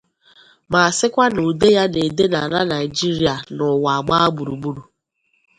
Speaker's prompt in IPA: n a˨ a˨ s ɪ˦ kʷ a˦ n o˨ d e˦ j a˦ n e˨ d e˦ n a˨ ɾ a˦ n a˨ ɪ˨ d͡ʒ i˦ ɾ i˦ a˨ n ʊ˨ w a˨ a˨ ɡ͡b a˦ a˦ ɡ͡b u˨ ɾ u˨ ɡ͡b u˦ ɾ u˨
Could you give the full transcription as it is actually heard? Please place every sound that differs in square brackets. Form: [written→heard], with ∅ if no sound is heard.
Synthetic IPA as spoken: [n→m] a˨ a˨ s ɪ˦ kʷ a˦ n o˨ d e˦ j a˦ n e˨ d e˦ n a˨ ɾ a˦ n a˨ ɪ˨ d͡ʒ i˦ ɾ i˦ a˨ n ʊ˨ w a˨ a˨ ɡ͡b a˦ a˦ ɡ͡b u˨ ɾ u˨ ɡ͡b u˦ ɾ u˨